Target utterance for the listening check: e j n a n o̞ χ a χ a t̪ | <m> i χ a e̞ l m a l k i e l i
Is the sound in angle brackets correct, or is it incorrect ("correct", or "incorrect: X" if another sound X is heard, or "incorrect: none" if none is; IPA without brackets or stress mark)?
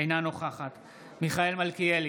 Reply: correct